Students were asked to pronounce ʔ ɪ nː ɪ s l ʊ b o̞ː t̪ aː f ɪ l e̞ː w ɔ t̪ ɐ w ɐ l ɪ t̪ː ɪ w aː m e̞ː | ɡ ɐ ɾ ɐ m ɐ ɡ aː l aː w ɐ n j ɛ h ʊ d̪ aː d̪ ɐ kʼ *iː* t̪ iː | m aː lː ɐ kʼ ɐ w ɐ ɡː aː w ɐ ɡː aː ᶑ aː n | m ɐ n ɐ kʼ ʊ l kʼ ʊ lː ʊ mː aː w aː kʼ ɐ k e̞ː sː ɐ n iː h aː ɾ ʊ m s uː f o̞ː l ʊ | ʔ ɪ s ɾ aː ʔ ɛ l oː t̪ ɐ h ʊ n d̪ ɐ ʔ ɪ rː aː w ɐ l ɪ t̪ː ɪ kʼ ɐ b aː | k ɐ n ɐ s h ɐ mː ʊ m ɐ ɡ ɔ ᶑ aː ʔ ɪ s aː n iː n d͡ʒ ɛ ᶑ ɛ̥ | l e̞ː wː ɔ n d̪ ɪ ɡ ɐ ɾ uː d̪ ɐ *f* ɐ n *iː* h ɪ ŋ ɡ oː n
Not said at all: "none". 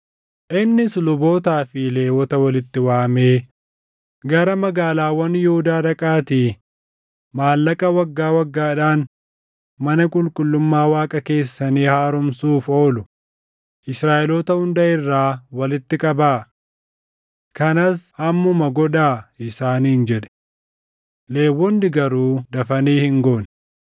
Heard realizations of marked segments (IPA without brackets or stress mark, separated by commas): aː, f, iː